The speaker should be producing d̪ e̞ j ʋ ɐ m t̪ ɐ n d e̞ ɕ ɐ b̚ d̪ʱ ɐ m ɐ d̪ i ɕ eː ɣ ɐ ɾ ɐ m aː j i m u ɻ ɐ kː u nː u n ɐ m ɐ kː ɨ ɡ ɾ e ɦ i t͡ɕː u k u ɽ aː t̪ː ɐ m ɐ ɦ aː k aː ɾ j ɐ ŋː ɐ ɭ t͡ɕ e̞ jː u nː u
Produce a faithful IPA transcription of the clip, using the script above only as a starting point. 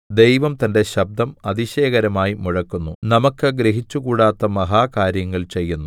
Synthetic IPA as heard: d̪ e̞ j ʋ ɐ m t̪ ɐ n d e̞ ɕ ɐ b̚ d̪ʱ ɐ m ɐ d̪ i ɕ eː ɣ ɐ ɾ ɐ m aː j i m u ɻ ɐ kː u nː u n ɐ m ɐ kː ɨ ɡ ɾ e ɦ i t͡ɕː u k uː ɽ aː t̪ː ɐ m ɐ ɦ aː k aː ɾ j ɐ ŋː ɐ ɭ t͡ɕ e̞ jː u nː u